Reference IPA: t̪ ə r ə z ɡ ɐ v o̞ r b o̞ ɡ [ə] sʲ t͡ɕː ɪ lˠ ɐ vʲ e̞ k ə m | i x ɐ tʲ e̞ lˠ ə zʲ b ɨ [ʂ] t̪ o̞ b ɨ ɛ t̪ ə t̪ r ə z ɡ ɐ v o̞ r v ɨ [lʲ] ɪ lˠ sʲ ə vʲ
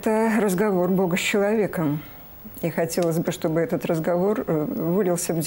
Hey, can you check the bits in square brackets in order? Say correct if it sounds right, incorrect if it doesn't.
correct, correct, correct

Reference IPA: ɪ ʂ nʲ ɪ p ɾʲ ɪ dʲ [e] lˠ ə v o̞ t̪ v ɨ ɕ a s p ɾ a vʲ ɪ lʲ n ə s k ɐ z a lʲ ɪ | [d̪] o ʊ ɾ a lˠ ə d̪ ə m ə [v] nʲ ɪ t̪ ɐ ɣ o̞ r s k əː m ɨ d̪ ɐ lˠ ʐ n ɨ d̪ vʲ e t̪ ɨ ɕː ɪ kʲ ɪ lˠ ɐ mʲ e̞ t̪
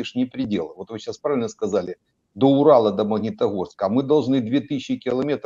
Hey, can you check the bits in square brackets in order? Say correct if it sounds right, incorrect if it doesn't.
correct, correct, incorrect

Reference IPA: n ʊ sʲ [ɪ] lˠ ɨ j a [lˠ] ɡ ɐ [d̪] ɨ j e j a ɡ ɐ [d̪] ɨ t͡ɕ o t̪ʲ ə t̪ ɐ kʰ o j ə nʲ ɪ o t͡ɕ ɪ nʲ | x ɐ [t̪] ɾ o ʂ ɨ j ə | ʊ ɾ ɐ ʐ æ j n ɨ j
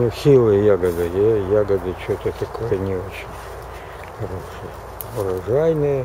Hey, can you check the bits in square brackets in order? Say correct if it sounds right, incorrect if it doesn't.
incorrect, incorrect, correct, correct, incorrect

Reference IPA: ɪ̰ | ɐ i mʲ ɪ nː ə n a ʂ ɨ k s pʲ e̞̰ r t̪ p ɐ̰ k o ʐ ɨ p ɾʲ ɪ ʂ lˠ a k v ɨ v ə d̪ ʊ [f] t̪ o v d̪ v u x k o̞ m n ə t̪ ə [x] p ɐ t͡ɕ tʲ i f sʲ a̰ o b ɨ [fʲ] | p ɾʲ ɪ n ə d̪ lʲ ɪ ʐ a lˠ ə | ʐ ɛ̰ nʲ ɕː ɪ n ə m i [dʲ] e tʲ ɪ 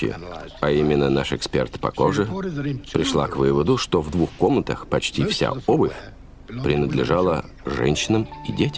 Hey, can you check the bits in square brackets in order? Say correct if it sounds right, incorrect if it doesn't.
incorrect, correct, correct, correct

